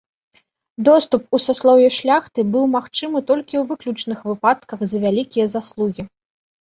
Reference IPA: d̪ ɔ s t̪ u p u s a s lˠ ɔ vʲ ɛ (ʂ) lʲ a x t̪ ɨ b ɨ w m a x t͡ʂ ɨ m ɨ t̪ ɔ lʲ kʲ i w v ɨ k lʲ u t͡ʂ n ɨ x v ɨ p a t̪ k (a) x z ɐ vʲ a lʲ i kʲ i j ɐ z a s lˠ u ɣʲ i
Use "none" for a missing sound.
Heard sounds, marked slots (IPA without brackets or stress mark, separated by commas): ʂ, ɐ